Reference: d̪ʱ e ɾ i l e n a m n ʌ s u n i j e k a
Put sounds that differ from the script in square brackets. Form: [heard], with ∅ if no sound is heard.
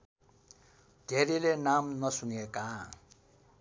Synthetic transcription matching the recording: d̪ʱ e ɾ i l e n a m n ʌ s u n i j e k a